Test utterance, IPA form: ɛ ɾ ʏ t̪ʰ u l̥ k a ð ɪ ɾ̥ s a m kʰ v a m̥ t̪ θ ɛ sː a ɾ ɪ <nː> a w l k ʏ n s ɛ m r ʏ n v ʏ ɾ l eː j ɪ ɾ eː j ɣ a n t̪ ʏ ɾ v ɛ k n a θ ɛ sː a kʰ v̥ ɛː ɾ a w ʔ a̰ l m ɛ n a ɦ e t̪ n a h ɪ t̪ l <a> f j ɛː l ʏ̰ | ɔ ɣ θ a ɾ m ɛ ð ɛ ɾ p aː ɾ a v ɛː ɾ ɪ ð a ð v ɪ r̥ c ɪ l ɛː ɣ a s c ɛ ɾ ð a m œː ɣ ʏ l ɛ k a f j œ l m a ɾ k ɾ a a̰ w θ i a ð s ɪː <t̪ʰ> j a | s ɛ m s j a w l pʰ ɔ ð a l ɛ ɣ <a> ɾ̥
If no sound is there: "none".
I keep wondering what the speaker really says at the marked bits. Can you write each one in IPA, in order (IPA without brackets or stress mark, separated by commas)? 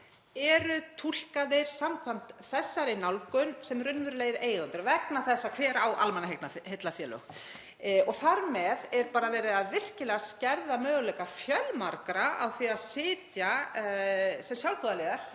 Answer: n, a, t̪, a